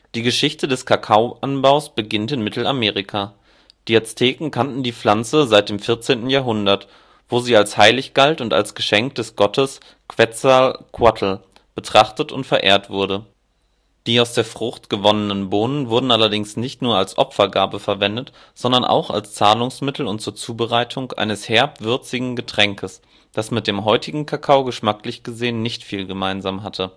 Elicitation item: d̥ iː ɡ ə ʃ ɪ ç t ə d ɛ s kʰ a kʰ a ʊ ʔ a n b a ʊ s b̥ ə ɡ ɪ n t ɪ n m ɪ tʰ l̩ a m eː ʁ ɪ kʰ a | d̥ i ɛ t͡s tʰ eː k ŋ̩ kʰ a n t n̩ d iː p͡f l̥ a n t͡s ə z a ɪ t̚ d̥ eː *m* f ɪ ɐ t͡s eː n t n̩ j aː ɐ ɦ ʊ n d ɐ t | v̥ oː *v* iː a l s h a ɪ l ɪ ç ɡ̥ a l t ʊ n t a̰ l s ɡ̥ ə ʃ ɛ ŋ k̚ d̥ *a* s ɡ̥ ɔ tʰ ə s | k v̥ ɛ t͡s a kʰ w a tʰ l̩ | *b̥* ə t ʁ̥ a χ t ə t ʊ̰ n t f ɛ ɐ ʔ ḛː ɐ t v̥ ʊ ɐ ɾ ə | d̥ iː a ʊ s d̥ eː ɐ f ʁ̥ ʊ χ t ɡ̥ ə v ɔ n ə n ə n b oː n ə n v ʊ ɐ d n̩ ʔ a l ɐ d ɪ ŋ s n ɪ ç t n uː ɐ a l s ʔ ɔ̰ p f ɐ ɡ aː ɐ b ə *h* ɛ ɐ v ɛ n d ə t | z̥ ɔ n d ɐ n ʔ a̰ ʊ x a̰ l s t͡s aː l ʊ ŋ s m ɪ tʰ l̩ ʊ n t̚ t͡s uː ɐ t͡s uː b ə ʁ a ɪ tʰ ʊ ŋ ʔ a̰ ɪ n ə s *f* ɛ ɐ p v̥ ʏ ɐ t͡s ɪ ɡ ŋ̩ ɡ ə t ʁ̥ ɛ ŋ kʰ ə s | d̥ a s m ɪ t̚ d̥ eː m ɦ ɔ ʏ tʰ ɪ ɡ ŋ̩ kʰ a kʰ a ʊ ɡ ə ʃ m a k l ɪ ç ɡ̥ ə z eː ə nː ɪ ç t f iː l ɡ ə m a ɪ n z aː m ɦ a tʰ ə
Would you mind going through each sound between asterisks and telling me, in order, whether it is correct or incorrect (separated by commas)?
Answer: correct, incorrect, incorrect, correct, incorrect, incorrect